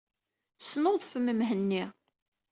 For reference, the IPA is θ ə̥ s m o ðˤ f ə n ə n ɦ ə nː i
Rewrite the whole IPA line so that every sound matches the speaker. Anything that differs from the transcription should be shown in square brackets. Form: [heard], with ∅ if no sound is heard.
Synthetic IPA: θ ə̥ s [n] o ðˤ f ə [m] ə [m] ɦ ə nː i